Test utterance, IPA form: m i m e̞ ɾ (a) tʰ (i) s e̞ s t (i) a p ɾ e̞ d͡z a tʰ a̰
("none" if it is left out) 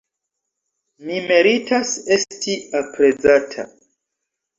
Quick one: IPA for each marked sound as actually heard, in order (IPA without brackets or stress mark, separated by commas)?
i, a, i